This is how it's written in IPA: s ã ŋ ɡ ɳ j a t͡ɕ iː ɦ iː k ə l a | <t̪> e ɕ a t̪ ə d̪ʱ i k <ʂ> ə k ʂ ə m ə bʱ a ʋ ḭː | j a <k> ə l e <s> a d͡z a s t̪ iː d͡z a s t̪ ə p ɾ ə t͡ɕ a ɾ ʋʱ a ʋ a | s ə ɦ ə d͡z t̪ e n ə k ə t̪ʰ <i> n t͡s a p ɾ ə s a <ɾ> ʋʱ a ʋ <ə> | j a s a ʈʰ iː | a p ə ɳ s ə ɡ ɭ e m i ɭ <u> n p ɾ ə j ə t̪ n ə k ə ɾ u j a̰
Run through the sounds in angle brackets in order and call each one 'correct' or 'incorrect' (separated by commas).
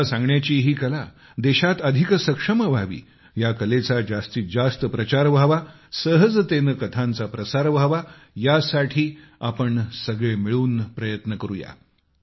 incorrect, incorrect, correct, incorrect, incorrect, correct, incorrect, incorrect